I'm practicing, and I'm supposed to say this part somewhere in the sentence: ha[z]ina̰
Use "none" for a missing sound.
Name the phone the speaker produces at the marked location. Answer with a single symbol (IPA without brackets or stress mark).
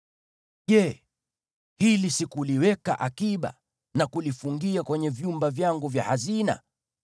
z